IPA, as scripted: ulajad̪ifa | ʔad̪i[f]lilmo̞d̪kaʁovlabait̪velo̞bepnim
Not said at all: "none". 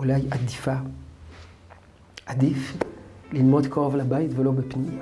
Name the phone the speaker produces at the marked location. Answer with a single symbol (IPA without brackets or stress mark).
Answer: f